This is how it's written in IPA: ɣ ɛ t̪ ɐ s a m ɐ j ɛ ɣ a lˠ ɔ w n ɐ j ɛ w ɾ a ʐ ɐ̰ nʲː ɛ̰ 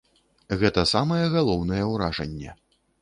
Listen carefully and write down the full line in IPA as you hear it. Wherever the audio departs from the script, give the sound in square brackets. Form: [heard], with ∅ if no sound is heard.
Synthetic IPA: ɣ ɛ t̪ ɐ s a m ɐ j ɛ ɣ a lˠ ɔ w n ɐ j ɛ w ɾ a ʐ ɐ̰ nʲː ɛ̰